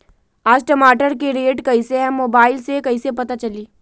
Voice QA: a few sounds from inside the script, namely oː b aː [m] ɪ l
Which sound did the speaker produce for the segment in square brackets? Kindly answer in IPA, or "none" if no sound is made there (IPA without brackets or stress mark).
none